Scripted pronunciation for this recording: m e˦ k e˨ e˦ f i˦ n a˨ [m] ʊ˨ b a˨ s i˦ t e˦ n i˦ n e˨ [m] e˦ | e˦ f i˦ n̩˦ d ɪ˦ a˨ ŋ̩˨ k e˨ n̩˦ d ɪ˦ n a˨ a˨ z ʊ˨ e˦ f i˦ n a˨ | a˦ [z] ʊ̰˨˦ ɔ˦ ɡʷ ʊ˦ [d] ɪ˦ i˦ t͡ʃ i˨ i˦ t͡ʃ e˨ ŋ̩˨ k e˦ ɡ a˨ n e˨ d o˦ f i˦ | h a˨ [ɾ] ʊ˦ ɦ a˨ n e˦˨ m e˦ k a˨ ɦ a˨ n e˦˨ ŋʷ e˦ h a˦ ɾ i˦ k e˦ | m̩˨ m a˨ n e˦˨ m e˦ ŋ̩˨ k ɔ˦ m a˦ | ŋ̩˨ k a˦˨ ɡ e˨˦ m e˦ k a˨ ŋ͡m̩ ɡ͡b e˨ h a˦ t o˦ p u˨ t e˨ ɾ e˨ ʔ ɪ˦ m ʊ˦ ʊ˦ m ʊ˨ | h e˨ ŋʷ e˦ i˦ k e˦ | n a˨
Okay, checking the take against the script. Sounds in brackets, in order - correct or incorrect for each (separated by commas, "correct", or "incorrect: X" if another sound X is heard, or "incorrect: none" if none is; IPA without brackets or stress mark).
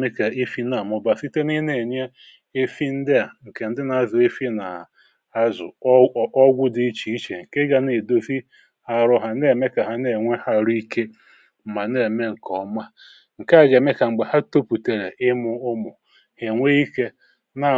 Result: correct, incorrect: ɲ, correct, correct, correct